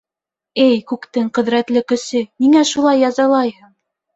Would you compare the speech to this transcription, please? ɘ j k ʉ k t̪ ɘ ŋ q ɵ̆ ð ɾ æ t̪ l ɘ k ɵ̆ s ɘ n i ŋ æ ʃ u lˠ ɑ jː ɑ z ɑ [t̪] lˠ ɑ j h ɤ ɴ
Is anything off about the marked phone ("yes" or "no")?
yes